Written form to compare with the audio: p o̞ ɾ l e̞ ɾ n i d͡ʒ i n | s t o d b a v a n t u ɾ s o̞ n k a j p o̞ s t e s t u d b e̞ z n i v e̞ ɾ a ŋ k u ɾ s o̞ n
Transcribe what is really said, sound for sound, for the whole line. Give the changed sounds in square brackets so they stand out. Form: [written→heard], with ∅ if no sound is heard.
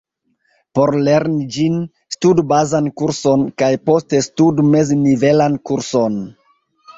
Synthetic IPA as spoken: p o̞ ɾ l e̞ ɾ n i d͡ʒ i n | s t [o→u] d b a [v→z] a n [t→k] u ɾ s o̞ n k a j p o̞ s t e s t u d [b→m] e̞ z n i v e̞ [ɾ→l] a [ŋ→n] k u ɾ s o̞ n